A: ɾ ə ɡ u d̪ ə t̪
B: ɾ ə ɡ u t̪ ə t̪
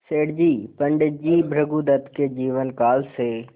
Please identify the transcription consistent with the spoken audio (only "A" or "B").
A